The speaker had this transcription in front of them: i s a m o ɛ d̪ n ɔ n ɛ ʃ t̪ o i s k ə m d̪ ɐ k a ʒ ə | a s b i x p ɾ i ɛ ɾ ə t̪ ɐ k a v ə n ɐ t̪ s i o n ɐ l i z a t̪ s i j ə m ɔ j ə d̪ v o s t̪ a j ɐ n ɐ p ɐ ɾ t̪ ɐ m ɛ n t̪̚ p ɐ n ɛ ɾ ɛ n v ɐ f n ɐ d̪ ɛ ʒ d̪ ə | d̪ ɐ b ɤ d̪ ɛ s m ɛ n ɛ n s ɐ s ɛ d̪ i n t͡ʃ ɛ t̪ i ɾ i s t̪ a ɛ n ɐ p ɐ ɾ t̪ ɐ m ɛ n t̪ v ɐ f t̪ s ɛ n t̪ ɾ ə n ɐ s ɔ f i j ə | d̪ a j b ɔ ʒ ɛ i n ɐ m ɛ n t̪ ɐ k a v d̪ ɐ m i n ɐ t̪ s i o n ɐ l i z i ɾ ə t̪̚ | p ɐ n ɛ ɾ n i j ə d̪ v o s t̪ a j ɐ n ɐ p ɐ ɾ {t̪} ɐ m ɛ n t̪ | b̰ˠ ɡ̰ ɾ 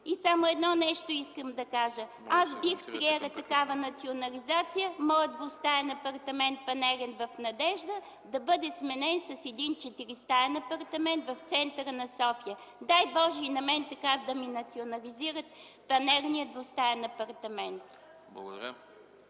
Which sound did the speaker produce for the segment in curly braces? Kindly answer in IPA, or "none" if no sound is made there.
t̪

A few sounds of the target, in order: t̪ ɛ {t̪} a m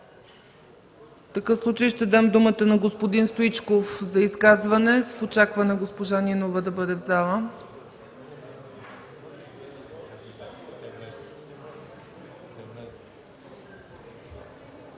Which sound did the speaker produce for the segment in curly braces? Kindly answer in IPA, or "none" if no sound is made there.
d̪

